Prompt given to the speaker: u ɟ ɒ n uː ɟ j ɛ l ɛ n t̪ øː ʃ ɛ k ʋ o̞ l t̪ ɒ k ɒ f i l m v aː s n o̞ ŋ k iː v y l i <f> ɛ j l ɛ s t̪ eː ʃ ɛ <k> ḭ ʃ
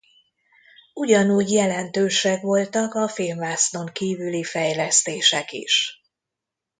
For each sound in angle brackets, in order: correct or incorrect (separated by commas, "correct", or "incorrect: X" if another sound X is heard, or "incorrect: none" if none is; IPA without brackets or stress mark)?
correct, correct